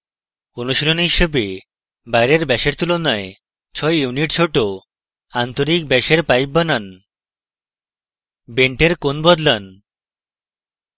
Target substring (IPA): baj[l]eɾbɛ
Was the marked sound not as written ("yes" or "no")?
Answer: yes